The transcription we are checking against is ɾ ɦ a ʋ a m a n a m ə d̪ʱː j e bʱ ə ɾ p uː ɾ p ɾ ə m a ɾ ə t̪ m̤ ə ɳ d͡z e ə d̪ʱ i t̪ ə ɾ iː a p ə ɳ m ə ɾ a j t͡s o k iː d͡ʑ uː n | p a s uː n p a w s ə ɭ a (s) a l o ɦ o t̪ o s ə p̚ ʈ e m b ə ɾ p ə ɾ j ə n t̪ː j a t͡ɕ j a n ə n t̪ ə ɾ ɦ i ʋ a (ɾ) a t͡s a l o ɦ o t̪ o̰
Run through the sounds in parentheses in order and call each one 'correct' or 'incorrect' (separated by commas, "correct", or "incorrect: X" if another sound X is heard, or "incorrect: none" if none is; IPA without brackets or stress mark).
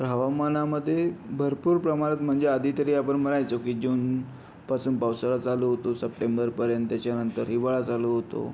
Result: incorrect: t͡s, incorrect: ɭ